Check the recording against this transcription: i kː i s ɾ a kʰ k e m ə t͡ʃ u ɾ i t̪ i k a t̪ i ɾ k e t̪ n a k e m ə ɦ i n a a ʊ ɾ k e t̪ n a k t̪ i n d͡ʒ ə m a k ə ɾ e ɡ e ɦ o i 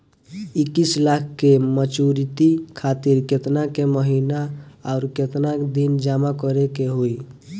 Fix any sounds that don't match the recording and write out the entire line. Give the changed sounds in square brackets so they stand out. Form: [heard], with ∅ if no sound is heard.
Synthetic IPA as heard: i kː i s [l] a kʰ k e m ə t͡ʃ u ɾ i t̪ i [kʰ] a t̪ i ɾ k e t̪ n a k e m ə ɦ i n a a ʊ ɾ k e t̪ n a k [d̪] i n d͡ʒ [a] m a k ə ɾ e [k] e ɦ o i

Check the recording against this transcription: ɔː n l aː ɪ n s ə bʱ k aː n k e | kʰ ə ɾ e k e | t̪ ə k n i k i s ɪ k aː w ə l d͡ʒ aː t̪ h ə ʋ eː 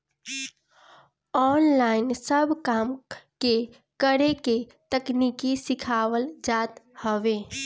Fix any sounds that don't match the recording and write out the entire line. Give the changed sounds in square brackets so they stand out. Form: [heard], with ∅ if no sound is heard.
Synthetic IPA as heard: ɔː n l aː ɪ n s ə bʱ k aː [m] k e | [k] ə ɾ e k e | t̪ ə k n i k i s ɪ [kʰ] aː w ə l d͡ʒ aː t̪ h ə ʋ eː

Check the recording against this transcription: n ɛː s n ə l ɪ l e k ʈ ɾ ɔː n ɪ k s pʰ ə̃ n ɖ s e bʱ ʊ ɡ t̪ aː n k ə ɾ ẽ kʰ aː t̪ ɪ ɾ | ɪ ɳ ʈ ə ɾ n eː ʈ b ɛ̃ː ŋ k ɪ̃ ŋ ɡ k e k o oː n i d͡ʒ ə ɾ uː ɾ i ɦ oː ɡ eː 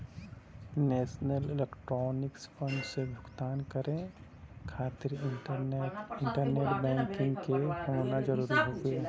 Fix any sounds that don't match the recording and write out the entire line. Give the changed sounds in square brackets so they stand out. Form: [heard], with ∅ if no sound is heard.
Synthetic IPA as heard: n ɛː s n ə l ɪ l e k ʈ ɾ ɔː n ɪ k s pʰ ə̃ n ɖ s e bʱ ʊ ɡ t̪ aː n k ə ɾ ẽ kʰ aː t̪ ɪ ɾ | ɪ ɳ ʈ ə ɾ n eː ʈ b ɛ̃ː ŋ k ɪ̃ ŋ ɡ k e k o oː n [a] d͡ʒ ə ɾ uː ɾ i ɦ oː ɡ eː

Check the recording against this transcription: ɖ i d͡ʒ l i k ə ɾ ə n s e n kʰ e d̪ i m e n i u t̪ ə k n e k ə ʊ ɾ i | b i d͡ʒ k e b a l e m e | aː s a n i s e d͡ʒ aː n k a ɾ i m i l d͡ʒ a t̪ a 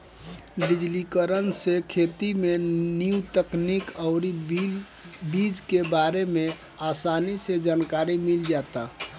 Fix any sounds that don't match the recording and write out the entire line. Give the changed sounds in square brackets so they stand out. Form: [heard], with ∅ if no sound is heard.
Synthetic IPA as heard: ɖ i d͡ʒ l i k ə ɾ ə n s e [∅] kʰ e [t̪] i m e n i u t̪ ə k n [i] k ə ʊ ɾ i | b i d͡ʒ k e b a [ɾ] e m e | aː s a n i s e d͡ʒ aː n k a ɾ i m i l d͡ʒ a t̪ a

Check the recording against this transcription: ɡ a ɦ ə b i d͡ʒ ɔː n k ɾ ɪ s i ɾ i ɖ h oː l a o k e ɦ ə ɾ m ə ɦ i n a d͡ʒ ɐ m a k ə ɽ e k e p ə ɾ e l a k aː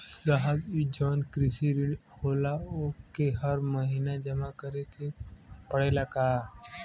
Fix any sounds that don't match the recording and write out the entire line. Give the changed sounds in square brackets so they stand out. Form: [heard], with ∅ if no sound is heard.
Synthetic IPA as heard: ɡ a ɦ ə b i d͡ʒ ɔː n k ɾ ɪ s i ɾ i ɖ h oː l a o k e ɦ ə ɾ m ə ɦ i n a d͡ʒ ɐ m a k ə [ɾ] e k e p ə [ɽ] e l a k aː

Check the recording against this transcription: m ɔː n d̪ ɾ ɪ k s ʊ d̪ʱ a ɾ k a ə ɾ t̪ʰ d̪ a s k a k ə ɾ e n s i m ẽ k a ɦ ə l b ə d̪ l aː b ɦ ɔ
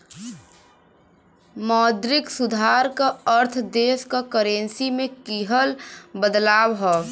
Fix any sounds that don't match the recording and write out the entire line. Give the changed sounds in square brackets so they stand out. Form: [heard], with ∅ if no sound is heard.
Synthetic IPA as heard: m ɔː [∅] d̪ ɾ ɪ k s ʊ d̪ʱ a ɾ k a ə ɾ t̪ʰ d̪ [e] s k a k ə ɾ e n s i m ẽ k [i] ɦ ə l b ə d̪ l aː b ɦ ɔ

